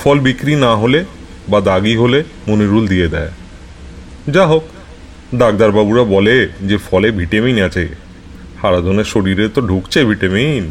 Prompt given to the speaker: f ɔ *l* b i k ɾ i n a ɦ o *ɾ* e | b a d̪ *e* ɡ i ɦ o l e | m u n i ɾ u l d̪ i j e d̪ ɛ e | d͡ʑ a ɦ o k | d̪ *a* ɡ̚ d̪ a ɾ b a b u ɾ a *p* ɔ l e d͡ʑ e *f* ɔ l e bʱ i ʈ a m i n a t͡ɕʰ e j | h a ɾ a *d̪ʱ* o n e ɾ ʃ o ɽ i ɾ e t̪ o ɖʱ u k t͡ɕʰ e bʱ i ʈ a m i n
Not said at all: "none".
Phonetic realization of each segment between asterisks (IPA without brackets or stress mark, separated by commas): l, l, a, a, b, f, d̪ʱ